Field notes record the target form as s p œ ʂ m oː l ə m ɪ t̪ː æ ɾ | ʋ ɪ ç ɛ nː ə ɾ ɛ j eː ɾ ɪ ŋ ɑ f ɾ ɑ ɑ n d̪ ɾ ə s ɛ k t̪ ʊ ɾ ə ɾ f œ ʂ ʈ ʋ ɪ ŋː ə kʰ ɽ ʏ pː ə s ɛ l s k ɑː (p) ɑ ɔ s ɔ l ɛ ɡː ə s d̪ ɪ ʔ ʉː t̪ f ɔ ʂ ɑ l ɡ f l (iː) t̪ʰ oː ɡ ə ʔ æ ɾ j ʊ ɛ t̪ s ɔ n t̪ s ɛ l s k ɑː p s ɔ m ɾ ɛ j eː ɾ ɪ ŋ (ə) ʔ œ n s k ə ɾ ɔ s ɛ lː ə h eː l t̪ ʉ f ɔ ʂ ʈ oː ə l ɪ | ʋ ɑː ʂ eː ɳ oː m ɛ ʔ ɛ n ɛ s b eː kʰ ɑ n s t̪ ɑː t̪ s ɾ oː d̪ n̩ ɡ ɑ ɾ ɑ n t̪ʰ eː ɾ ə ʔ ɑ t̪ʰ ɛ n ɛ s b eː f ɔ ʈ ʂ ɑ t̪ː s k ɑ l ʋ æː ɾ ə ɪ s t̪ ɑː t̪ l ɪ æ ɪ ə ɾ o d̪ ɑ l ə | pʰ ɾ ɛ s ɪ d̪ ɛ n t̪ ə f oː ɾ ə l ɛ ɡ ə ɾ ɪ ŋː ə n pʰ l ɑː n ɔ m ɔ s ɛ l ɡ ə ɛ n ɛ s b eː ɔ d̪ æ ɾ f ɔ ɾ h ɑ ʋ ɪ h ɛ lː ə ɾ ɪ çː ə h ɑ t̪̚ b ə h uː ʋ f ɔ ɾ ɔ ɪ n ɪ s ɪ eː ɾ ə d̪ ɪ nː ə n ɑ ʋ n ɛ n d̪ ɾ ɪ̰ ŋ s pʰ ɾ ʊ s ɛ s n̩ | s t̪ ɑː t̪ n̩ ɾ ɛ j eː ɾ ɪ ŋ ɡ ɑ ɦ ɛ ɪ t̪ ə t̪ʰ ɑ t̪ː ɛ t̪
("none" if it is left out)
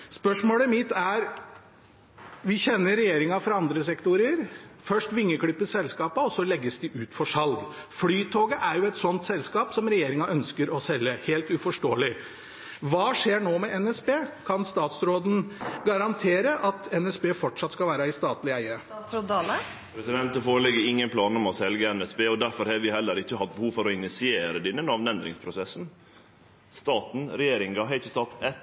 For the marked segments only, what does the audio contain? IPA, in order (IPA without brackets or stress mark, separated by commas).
p, yː, ɑ